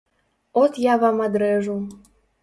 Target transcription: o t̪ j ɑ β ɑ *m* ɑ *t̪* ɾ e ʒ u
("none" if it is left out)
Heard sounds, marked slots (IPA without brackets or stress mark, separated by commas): m, d̪